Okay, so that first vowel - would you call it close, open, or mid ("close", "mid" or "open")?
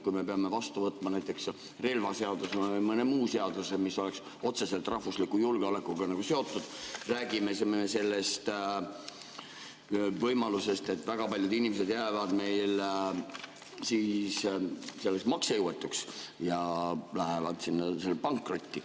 close